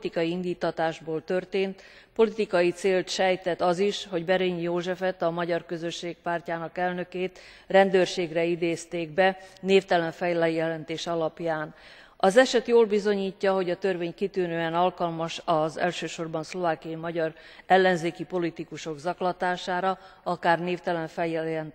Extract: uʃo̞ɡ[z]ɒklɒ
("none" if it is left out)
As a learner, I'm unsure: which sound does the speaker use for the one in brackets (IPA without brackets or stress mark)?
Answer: z